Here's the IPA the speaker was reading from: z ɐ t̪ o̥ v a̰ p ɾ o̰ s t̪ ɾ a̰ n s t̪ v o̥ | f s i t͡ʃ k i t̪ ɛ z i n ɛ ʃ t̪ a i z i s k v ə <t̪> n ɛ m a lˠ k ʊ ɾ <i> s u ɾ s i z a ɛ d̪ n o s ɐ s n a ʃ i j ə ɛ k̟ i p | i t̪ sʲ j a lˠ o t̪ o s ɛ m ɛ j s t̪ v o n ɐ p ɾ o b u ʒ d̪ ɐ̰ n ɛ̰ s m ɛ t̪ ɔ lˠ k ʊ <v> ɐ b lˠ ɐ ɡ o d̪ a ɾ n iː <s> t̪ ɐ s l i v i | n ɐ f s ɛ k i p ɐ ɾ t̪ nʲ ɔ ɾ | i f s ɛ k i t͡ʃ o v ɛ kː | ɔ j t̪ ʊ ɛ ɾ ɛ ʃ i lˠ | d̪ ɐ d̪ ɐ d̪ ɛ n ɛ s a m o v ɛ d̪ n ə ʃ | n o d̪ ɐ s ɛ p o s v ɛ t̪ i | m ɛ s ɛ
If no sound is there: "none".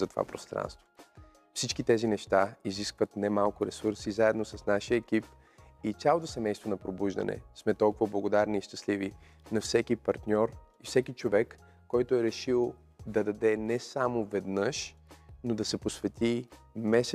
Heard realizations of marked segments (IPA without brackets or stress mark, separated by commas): t̪, ɛ, v, ʃ